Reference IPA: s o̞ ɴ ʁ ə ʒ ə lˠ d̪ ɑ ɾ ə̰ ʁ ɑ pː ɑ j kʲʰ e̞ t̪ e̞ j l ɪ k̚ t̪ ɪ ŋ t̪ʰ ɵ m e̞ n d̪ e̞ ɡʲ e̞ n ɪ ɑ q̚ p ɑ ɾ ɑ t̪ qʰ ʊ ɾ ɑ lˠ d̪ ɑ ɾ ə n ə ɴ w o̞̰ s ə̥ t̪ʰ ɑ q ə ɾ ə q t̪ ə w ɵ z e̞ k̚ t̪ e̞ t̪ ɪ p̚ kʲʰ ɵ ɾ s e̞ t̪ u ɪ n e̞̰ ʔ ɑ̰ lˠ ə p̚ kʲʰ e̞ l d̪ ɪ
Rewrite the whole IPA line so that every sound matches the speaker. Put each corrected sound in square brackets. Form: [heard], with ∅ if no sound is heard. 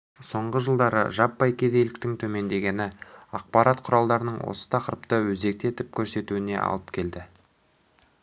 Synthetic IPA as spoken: s o̞ ɴ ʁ ə ʒ ə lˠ d̪ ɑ ɾ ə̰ [ʒ] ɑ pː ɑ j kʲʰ e̞ [d̪] e̞ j l ɪ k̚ t̪ ɪ ŋ t̪ʰ ɵ m e̞ n d̪ e̞ ɡʲ e̞ n ɪ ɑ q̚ p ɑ ɾ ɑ t̪ qʰ ʊ ɾ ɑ lˠ d̪ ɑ ɾ ə n ə ɴ w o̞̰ s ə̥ t̪ʰ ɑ q ə ɾ ə [p] t̪ ə w ɵ z e̞ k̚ t̪ e̞ t̪ ɪ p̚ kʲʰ ɵ ɾ s e̞ t̪ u ɪ n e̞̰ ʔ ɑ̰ lˠ ə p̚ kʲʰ e̞ l d̪ ɪ